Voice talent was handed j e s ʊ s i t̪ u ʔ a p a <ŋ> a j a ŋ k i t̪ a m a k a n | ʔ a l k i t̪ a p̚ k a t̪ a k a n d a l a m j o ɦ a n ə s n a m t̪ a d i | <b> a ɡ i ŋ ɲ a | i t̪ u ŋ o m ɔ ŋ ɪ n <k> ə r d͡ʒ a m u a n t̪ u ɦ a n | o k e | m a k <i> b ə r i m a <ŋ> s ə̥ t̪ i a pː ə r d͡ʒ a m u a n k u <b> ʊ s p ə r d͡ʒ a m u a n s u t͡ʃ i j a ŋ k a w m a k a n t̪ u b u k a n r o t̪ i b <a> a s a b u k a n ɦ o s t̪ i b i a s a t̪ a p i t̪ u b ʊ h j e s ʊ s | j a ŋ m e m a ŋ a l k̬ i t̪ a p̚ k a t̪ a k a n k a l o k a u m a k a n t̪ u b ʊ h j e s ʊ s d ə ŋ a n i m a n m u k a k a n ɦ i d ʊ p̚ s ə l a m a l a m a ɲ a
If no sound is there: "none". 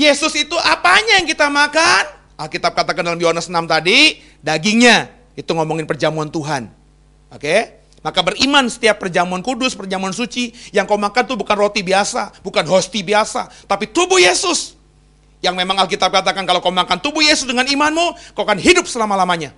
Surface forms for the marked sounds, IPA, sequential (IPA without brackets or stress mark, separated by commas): ɲ, d, p, a, n, d, i